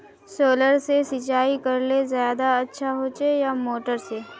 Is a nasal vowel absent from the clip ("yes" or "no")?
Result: yes